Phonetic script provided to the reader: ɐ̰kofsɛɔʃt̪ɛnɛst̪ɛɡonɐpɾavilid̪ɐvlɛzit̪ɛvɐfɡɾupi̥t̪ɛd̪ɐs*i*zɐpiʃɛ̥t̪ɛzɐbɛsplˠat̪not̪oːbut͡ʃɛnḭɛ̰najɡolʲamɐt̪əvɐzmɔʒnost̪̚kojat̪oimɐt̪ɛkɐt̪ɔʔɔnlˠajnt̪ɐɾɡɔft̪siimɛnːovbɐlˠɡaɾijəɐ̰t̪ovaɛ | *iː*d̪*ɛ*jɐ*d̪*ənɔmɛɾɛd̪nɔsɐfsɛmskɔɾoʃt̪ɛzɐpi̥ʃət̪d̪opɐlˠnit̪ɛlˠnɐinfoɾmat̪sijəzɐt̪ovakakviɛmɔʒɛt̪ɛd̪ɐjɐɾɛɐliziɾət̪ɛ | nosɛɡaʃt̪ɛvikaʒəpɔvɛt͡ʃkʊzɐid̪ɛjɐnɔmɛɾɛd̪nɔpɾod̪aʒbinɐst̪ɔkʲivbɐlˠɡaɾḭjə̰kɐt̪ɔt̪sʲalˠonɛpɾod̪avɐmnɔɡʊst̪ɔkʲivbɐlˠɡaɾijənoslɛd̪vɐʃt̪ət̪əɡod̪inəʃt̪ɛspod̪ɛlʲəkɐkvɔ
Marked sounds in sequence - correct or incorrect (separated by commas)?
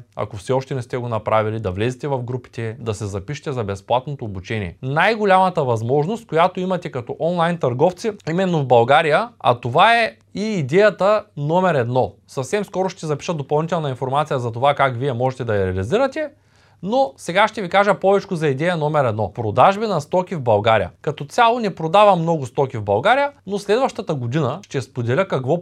incorrect, correct, correct, incorrect